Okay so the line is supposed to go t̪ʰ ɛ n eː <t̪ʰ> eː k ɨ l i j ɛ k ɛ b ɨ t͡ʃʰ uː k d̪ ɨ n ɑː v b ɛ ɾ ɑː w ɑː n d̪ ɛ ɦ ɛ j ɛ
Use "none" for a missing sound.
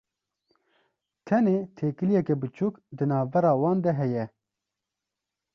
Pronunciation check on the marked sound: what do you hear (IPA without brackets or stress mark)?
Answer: t̪ʰ